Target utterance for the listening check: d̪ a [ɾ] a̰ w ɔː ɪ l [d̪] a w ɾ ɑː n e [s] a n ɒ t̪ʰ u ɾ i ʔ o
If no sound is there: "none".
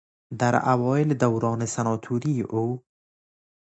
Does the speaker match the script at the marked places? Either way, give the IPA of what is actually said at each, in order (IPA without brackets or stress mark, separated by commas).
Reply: ɾ, d̪, s